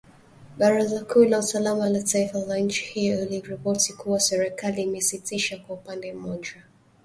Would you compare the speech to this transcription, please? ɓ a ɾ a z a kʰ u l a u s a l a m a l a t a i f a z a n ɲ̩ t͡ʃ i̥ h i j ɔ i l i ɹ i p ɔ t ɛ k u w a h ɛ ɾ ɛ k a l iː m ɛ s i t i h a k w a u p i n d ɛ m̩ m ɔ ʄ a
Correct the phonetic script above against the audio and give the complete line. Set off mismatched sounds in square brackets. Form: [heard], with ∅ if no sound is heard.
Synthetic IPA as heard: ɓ a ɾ a z a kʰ u l a u s a l a m a l a t a i f a z a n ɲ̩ t͡ʃ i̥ h i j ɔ i l i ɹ i p ɔ t [i] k u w a [s] ɛ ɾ ɛ k a l iː m ɛ s i t i [ʃ] a k w a u p [a] n d ɛ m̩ m ɔ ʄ a